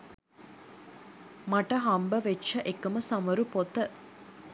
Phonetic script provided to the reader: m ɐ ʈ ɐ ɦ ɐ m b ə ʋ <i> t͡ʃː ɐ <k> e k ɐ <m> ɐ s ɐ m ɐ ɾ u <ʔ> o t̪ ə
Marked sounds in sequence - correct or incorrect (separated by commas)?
incorrect, incorrect, correct, incorrect